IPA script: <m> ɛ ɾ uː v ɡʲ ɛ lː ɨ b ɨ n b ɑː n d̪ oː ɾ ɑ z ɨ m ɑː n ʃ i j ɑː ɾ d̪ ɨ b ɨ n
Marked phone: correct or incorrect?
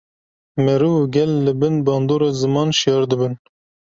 correct